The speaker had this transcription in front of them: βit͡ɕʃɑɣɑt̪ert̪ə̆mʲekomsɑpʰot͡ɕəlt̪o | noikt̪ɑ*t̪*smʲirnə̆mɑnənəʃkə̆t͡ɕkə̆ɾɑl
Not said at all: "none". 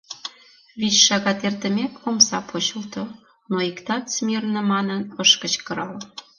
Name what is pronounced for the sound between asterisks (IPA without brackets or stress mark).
t̪